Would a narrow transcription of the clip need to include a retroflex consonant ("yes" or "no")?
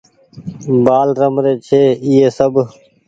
no